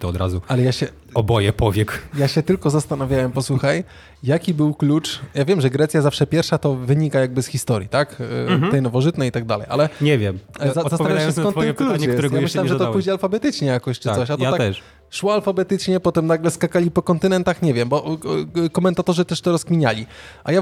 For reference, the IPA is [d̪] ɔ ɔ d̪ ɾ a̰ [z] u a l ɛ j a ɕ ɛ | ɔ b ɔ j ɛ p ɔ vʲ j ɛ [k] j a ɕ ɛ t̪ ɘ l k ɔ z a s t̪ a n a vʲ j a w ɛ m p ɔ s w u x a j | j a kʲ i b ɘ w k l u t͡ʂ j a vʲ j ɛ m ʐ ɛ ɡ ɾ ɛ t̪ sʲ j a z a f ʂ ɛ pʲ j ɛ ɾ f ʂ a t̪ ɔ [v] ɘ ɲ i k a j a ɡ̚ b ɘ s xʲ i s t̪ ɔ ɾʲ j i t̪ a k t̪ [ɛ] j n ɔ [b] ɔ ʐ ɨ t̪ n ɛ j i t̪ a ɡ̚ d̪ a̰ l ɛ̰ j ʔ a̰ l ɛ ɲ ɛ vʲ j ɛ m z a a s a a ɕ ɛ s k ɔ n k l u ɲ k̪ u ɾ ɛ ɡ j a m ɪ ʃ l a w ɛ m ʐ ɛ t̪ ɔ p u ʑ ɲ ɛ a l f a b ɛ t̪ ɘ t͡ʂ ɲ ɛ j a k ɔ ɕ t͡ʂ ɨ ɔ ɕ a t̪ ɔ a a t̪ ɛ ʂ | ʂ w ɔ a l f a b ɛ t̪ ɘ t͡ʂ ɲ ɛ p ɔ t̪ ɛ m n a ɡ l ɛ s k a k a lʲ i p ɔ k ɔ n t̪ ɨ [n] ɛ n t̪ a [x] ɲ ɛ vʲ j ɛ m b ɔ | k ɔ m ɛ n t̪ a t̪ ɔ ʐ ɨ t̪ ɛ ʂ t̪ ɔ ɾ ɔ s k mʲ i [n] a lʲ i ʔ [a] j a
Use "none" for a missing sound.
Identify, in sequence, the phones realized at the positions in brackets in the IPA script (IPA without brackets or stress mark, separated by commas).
t̪, z, k, v, ɛ, v, n, x, ɲ, a